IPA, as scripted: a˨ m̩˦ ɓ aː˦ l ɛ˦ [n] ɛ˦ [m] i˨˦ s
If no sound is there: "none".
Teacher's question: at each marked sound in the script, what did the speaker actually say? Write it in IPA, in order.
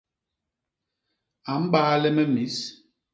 m, m

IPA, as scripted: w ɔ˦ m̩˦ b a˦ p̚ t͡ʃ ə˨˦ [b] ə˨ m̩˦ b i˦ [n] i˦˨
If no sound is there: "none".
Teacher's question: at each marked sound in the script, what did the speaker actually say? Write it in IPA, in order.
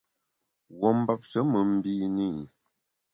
m, n

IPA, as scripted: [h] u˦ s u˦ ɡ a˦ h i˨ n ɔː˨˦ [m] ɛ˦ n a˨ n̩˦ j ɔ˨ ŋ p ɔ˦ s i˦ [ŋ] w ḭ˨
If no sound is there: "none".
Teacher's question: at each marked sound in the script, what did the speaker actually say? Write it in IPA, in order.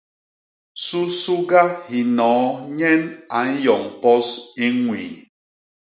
s, ɲ, ŋ

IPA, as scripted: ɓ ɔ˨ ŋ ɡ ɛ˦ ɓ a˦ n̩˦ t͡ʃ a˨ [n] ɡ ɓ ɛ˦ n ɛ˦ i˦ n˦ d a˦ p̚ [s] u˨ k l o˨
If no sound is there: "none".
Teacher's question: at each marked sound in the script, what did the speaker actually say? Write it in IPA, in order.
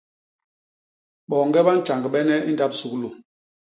ŋ, s

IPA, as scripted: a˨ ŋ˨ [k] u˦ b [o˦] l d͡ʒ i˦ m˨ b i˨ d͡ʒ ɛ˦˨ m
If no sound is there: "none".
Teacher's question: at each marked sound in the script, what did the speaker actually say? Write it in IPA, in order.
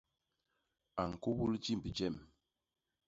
k, u˦

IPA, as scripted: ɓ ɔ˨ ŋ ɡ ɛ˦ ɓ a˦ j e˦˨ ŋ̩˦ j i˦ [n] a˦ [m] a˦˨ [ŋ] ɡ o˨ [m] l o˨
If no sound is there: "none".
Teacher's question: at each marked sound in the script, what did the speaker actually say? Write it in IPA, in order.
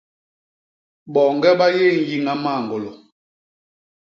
ŋ, m, ŋ, none

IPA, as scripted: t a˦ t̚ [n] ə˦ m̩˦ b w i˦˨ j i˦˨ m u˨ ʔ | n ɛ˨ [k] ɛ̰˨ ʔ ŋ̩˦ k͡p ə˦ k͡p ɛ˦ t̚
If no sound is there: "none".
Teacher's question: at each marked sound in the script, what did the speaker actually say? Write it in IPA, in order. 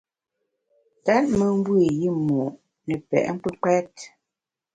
m, p

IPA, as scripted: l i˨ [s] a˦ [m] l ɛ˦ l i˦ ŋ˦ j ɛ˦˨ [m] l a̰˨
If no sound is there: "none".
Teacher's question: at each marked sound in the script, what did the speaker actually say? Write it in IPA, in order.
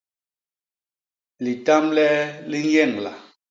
t, m, ŋ

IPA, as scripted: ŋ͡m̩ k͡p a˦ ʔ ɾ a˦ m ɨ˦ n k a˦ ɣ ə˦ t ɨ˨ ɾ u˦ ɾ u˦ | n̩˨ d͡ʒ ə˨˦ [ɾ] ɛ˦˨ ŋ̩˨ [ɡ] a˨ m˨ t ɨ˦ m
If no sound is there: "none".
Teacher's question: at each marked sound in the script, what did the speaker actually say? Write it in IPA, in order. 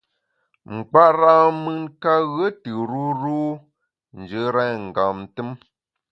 ɾ, ɡ

